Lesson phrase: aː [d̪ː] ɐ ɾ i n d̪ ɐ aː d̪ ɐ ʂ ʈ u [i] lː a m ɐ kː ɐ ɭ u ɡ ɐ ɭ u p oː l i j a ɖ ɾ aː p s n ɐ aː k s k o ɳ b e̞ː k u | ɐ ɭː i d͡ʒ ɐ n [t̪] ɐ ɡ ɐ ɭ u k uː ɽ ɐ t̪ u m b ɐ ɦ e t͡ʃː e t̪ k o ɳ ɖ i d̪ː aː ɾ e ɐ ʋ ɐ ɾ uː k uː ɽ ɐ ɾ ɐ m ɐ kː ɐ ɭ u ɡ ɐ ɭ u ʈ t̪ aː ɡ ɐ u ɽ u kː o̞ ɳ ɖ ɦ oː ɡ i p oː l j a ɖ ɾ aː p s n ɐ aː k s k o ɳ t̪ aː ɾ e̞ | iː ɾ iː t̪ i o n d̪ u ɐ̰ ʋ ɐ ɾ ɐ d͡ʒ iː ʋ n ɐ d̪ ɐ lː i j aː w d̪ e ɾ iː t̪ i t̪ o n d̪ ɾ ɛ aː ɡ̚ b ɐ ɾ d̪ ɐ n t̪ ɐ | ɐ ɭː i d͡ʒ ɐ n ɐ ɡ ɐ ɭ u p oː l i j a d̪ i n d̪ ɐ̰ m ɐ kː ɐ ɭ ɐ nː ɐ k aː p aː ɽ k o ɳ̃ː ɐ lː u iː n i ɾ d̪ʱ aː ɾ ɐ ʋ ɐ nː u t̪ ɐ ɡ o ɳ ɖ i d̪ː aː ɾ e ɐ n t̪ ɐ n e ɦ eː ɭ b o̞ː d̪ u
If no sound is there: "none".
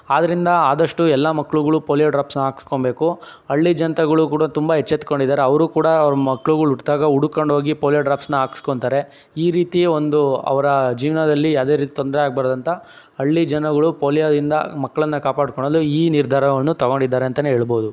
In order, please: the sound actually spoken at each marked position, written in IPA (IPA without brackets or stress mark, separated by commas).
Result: d̪, ɛ, t̪